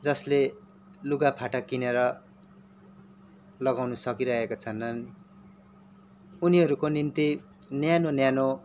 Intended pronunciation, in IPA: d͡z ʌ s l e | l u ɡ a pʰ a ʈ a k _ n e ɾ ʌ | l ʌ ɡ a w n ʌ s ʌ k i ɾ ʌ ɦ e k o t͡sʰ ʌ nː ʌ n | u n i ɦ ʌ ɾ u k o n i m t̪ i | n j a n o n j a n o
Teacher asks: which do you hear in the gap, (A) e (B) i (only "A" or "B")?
B